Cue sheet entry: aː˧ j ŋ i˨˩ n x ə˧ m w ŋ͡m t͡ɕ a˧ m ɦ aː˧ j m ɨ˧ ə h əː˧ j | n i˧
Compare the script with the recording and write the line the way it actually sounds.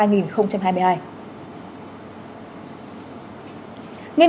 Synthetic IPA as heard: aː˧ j ŋ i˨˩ n x ə˧ w ŋ͡m t͡ɕ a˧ m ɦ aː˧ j m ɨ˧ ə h aː˧ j | ŋ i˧